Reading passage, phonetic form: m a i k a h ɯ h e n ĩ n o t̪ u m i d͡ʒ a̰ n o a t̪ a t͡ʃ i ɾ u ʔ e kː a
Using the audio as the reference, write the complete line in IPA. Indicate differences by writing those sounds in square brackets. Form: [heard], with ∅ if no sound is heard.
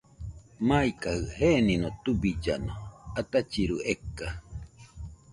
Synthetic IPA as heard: m a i k a h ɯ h e n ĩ n o t̪ u [b] i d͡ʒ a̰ n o a t̪ a t͡ʃ i ɾ u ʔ e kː a